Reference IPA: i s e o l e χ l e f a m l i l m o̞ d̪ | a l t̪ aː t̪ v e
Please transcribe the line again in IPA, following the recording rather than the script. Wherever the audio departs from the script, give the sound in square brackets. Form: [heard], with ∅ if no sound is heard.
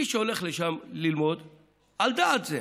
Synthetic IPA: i [ʃ] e o l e χ l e [ʃ] a m l i l m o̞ d̪ | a l [d̪] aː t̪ [z] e

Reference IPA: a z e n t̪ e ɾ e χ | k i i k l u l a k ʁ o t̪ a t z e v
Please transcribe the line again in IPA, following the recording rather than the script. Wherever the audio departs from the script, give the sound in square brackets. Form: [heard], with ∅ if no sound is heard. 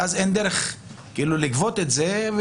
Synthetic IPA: a z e n [d̪] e ɾ e χ | k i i [∅] l u l [i] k [v] o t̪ [e] t z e v

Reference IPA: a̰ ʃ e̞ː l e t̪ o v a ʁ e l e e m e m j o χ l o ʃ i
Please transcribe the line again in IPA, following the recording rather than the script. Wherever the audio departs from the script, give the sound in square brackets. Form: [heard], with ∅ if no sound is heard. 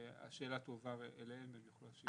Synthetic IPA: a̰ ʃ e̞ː l [a] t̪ o v a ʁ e l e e m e m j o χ l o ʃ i

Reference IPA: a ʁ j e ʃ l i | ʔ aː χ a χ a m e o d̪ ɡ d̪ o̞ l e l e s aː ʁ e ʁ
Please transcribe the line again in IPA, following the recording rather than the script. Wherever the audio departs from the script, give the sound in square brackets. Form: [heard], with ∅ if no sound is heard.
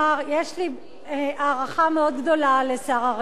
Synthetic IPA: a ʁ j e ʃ l i | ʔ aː [ʁ] a χ a m e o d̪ ɡ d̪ o̞ l [a] l e s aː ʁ [a] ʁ

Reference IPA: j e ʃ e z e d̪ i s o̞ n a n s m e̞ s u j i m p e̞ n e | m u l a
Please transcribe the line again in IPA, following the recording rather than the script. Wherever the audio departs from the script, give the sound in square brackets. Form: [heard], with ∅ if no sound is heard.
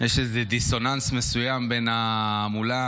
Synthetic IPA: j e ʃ e z e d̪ i s o̞ n a n s m e̞ s u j [a] m [b] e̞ n [a] | m u l a

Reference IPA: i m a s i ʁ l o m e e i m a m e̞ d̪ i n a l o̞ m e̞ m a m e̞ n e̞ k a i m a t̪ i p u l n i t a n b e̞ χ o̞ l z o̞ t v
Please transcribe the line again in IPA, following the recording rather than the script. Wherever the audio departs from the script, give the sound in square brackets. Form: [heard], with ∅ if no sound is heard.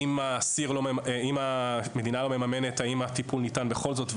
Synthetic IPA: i m a s i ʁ l o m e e i m a m e̞ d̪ i n a l o̞ m e̞ m a m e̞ n e̞ [t] a i m a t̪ i p u l n i t a n b e̞ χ o̞ l z o̞ t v

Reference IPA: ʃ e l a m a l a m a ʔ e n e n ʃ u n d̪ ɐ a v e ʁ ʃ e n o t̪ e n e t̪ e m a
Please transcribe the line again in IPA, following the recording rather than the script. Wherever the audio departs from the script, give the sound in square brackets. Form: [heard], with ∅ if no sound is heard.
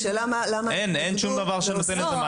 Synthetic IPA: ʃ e l a m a l a m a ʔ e n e n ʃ u [m] d̪ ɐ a v [a] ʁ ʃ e n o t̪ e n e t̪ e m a

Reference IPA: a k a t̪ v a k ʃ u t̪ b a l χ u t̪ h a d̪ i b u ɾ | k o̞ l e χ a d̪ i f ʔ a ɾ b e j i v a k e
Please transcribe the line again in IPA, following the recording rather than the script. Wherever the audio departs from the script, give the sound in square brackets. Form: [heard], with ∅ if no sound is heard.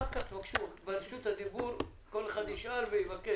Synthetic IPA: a k a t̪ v a k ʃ u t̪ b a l [ʃ] u t̪ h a d̪ i b u ɾ | k o̞ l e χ a d̪ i [ʃ] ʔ a ɾ [v] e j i v a k e

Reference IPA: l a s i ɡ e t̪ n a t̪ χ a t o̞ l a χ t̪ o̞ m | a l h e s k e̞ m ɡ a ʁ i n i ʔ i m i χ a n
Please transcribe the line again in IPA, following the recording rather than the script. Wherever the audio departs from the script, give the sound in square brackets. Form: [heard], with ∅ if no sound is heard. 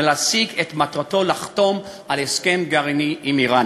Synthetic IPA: l a s i ɡ e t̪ [m] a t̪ [ʁ] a t o̞ l a χ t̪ o̞ m | a l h e s k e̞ m ɡ a ʁ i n i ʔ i m i [ʁ] a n

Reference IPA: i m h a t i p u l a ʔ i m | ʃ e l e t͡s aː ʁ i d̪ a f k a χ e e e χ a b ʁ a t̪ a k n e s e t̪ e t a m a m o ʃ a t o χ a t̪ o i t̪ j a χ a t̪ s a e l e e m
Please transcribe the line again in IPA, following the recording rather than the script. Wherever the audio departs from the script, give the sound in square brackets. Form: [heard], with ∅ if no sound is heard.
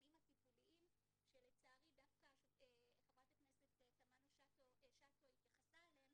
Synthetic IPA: i m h a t i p u l [i] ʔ i m | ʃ e l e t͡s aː ʁ i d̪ a f k a [ʃ] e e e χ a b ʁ a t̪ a k n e s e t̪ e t a m a [n] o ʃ a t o [ʃ] a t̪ o i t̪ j a χ a [∅] s a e l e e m

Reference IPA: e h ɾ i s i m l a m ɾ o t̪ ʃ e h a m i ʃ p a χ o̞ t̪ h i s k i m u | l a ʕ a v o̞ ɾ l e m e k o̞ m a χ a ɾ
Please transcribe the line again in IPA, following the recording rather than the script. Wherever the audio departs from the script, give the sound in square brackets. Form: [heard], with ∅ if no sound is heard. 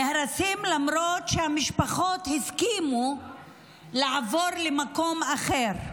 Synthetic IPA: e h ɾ [a] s i m l a m ɾ o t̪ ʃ e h a m i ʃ p a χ o̞ t̪ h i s k i m u | l a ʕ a v o̞ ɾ l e m [a] k o̞ m a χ [e] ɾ

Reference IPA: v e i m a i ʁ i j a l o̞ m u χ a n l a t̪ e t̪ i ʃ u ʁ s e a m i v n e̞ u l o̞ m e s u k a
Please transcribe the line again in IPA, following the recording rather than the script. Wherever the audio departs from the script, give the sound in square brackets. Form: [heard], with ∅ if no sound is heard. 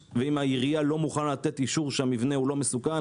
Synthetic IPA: v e i m a i ʁ i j a l o̞ m u χ a n l a t̪ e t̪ i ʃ u ʁ [ʃ] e a m i v n e̞ u l o̞ m e s u k a

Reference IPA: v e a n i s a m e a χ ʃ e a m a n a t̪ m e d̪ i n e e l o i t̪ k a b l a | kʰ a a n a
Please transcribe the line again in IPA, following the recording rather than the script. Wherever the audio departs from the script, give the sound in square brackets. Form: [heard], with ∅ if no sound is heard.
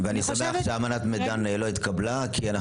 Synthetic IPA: v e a n i s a m e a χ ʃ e a m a n a t̪ m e d̪ [a] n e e l o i t̪ k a b l a | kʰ [i] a n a

